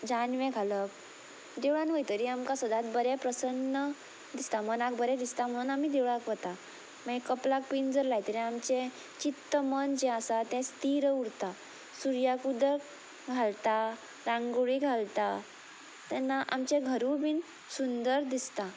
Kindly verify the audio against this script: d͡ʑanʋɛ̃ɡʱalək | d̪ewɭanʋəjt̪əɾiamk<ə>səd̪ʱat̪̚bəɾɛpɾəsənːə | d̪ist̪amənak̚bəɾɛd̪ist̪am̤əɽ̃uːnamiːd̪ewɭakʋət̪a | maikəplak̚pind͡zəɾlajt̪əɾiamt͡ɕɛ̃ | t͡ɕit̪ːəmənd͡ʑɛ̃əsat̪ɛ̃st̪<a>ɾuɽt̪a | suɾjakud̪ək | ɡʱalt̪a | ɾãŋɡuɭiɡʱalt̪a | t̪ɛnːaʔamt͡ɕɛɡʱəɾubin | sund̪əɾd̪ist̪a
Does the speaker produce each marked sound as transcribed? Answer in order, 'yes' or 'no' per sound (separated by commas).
no, no